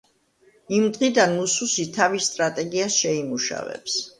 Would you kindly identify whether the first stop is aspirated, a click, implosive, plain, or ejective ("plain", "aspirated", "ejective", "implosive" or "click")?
plain